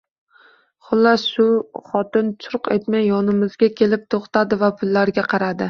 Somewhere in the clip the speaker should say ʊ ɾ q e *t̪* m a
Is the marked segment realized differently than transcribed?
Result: no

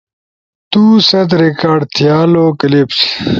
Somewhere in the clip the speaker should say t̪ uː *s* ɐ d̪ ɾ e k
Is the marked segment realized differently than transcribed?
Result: no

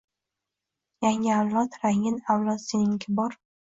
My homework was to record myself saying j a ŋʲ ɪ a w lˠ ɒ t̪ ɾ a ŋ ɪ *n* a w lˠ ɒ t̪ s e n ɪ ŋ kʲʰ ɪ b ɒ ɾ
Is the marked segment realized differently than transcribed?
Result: no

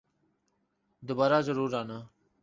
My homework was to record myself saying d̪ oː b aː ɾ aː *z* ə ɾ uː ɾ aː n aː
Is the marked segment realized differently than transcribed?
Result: no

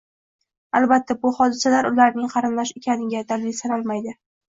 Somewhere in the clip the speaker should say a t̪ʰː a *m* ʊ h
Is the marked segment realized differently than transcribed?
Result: yes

